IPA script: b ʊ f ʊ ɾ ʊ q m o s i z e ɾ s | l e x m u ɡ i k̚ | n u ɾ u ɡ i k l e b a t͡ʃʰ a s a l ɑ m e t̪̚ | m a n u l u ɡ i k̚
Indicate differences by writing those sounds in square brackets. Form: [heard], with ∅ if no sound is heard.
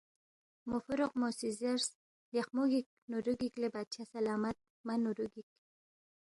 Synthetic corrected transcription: [m] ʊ f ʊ ɾ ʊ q m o s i z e ɾ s | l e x m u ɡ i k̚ | n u ɾ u ɡ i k l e b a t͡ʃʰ a s a l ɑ m [a] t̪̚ | m a n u [ɾ] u ɡ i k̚